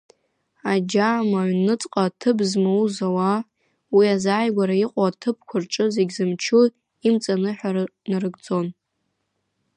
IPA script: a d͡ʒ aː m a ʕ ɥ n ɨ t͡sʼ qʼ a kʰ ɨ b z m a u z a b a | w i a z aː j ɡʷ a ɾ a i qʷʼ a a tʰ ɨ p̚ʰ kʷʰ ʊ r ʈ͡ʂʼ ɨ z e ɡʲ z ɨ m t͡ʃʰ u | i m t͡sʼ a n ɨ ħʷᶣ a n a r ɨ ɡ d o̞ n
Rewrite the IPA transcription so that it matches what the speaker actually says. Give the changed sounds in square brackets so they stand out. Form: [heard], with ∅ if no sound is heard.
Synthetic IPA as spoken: a d͡ʒ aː m a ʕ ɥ n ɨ t͡sʼ qʼ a [tʰ] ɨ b z m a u z a [w] a | w i a z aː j ɡʷ a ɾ a i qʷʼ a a tʰ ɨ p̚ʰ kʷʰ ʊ r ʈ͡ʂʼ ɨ z e ɡʲ z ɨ m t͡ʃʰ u | i m t͡sʼ a n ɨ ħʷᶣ a n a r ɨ ɡ [d͡z] o̞ n